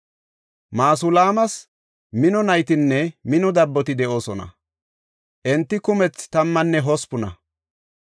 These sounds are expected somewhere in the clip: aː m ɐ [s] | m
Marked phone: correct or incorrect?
correct